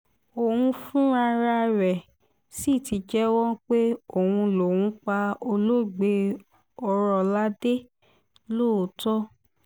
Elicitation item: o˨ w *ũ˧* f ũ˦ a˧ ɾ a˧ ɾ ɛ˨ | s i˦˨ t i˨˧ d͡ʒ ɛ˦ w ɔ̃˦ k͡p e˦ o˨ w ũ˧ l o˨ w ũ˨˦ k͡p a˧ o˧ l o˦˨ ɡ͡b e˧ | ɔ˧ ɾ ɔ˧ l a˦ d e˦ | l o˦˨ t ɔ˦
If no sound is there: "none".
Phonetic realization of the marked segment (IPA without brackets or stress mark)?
ũ˧